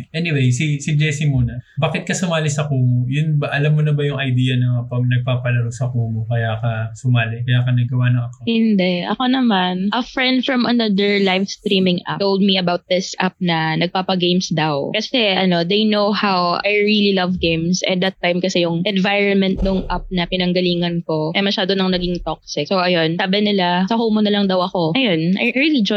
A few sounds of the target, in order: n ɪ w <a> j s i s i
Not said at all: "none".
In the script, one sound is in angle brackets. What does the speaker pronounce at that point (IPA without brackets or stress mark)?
e